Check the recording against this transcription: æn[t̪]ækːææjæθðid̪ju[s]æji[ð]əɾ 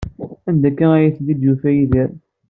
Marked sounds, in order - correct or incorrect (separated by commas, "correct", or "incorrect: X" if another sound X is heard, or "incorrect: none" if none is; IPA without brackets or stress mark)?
incorrect: d̪, incorrect: f, correct